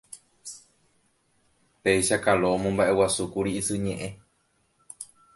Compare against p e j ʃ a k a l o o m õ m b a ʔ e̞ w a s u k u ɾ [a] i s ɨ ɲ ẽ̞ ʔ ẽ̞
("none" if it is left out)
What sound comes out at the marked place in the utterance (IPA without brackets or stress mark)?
i